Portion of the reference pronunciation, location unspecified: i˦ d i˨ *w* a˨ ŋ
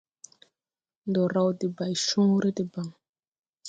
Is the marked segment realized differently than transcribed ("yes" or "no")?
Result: yes